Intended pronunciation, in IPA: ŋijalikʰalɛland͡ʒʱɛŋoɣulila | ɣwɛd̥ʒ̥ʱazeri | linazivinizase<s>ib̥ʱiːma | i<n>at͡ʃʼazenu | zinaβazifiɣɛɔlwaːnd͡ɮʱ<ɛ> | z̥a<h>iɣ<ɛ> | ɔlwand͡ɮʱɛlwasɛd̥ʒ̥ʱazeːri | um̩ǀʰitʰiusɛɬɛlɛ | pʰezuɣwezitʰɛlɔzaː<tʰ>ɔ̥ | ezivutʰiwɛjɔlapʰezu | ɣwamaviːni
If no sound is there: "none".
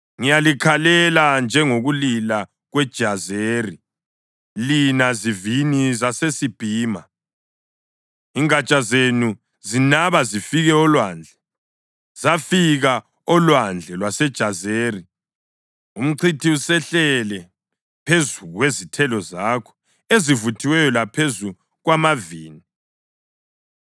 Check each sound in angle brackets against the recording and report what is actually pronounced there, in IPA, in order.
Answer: s, ŋ, ɛ, f, a, kʰ

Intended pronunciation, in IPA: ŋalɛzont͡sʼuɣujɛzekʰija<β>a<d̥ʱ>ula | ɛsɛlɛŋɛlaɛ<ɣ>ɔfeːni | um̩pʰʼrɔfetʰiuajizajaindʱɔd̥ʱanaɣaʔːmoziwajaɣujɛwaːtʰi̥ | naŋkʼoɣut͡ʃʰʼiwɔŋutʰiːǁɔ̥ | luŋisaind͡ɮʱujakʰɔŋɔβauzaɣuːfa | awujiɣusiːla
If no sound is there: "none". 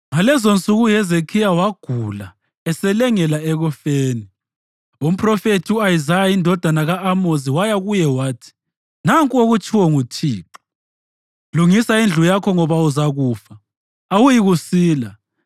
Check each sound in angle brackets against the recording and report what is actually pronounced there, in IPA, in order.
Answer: w, ɡ̥ʱ, ɣ

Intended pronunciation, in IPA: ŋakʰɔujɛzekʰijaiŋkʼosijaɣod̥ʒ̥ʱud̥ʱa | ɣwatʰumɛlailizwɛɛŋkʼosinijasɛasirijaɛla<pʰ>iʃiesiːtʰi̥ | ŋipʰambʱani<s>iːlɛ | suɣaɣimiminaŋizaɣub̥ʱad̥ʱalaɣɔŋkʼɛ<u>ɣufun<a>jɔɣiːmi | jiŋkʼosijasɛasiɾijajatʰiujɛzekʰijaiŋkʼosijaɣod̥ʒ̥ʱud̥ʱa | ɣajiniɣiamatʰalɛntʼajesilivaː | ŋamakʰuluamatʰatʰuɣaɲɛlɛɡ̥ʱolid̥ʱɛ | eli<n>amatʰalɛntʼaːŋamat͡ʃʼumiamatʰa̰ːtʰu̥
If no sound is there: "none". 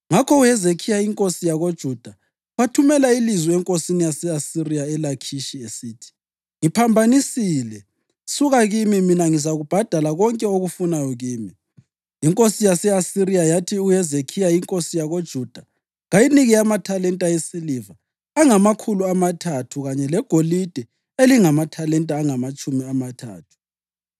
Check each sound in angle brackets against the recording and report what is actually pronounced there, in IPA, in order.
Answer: kʰ, s, o, a, ŋ

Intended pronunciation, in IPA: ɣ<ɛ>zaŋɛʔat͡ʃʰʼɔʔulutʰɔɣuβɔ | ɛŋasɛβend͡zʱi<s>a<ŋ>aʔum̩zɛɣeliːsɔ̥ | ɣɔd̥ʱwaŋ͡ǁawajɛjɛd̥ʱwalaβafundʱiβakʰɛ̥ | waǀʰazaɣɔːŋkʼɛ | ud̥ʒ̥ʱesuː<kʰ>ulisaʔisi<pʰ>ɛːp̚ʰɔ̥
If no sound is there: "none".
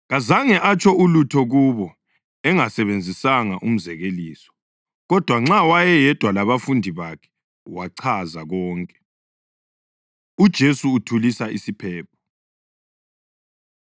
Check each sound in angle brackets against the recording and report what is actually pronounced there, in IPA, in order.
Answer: a, s, ŋ, tʰ, pʰ

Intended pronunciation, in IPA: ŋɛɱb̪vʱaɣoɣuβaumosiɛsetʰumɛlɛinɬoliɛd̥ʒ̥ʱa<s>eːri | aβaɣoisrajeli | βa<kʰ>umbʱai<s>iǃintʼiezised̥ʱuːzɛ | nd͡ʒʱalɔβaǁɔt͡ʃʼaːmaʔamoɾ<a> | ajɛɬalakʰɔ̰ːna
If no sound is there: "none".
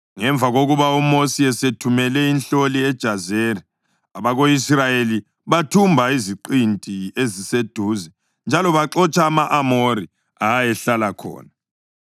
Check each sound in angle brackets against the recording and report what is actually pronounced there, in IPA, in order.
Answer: z, tʰ, z, i

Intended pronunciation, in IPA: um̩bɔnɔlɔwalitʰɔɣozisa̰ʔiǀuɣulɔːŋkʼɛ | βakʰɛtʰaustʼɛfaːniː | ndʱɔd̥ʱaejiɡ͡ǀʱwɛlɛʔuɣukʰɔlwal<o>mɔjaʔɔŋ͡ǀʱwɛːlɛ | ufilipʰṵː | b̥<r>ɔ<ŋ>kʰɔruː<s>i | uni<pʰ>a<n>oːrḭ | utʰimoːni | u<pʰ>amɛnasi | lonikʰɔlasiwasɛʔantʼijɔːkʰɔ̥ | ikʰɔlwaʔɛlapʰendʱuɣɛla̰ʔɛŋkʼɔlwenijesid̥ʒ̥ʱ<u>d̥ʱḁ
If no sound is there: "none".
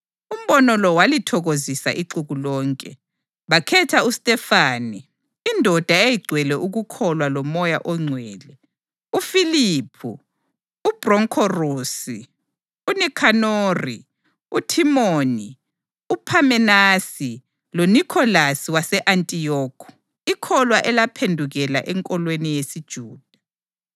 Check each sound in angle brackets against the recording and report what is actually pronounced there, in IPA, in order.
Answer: ɔ, r, ŋ, s, kʰ, n, pʰ, uː

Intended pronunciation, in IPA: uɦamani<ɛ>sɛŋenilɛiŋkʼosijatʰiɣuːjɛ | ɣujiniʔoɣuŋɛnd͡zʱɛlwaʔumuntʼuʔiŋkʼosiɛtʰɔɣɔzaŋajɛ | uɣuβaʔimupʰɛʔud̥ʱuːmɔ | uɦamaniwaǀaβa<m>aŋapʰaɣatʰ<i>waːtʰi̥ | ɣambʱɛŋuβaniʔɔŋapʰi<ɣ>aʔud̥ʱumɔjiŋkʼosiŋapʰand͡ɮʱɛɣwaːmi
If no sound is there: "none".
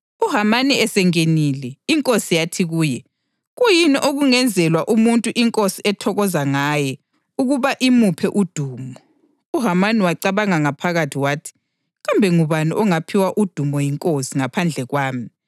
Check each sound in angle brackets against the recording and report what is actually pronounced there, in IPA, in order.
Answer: ɛ, ŋ, i, w

